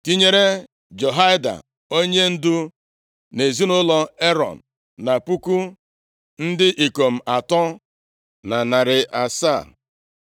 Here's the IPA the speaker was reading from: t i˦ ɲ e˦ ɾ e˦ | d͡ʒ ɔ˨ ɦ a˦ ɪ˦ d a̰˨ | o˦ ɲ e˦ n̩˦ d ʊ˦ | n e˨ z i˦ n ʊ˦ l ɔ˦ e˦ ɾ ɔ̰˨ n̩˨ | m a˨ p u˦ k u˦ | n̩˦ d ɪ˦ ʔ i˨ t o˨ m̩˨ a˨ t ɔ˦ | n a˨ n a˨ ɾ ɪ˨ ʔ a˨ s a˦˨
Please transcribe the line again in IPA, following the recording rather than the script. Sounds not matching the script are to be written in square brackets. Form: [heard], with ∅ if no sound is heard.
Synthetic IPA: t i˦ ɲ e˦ ɾ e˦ | d͡ʒ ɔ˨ ɦ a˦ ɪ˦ d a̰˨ | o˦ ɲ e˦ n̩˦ d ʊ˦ | n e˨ z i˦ n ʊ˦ l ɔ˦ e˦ ɾ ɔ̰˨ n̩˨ | [n] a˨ p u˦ k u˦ | n̩˦ d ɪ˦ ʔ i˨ [k] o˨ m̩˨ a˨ t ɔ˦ | n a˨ n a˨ ɾ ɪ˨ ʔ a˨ s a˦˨